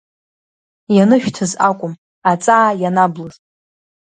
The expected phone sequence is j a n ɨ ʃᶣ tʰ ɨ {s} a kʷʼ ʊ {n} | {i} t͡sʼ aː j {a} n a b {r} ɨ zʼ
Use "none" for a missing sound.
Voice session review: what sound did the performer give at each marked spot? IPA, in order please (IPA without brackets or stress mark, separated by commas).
z, m, a, a, l